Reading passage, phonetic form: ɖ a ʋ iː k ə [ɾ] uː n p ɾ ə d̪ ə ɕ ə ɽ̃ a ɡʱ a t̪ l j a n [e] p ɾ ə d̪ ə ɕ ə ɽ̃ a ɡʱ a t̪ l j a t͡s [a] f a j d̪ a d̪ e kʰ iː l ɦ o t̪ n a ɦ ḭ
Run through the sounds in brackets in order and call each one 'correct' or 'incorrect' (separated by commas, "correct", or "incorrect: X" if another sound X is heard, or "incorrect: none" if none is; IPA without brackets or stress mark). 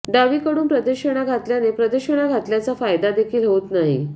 incorrect: ɽ, correct, correct